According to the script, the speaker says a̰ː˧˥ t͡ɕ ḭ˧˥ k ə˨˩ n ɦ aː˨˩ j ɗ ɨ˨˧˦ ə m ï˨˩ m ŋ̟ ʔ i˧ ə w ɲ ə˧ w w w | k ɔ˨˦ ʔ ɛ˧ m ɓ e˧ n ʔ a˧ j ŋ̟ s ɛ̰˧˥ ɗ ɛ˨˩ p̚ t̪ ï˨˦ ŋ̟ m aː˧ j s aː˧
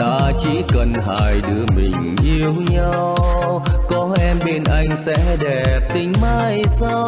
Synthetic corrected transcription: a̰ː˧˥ t͡ɕ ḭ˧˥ k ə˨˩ n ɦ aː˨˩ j ɗ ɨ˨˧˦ ə m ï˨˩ ŋ̟ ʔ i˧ ə w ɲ a˧ w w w | k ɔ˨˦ ʔ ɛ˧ m ɓ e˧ n ʔ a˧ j ŋ̟ s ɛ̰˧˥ ɗ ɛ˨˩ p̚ t̪ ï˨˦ ŋ̟ m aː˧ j s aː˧

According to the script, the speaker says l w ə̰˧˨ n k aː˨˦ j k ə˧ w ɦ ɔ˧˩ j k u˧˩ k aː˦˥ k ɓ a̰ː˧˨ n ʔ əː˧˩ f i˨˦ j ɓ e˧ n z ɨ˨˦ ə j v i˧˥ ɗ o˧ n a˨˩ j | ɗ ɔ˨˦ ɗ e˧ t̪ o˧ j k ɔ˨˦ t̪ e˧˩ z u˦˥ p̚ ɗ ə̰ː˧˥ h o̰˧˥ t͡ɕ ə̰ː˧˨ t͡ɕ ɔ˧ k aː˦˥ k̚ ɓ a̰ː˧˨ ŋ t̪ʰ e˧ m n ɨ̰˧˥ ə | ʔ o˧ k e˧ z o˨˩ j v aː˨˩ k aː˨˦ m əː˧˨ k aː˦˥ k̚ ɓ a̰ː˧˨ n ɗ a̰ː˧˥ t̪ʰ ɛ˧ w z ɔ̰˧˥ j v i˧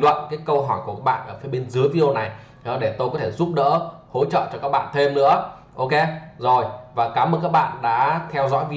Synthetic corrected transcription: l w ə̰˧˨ n k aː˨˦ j k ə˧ w ɦ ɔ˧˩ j k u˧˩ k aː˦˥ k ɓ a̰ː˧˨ n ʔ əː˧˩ f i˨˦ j ɓ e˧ n z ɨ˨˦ ə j v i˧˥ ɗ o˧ n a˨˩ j | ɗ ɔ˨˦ ɗ e˧˩ t̪ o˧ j k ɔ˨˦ t̪ʰ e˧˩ z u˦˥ p̚ ɗ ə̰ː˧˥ h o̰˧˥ t͡ɕ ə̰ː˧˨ t͡ɕ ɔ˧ k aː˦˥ k̚ ɓ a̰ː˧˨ n t̪ʰ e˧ m n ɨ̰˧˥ ə | ʔ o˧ k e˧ z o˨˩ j v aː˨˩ k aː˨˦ m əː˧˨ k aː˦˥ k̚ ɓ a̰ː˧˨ n ɗ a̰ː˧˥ t̪ʰ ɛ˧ w z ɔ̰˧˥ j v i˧

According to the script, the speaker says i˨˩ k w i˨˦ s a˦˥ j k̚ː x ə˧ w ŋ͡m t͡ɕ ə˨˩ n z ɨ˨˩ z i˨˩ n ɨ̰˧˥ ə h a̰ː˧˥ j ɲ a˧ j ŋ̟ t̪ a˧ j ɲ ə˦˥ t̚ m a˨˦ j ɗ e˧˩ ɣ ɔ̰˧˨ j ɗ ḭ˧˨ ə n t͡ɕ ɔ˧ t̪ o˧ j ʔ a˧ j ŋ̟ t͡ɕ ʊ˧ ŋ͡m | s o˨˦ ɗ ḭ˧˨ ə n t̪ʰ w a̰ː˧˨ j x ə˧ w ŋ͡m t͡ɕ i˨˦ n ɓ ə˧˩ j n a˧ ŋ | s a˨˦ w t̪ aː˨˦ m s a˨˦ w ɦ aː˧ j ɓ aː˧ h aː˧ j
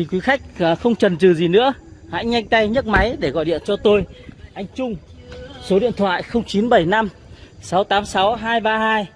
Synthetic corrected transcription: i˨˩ k w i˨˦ x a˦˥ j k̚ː x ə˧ w ŋ͡m t͡ɕ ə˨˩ n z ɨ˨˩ z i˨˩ n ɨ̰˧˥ ə h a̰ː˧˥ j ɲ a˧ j ŋ̟ t̪ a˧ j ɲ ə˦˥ t̚ m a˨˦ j ɗ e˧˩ ɣ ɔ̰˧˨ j ɗ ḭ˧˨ ə n t͡ɕ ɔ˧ t̪ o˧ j ʔ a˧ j ŋ̟ t͡ɕ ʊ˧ ŋ͡m | s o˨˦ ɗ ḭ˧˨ ə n t̪ʰ w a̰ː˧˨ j x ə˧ w ŋ͡m t͡ɕ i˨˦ n ɓ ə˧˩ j n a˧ m | s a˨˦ w t̪ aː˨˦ m s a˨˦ w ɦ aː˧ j ɓ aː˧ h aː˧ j

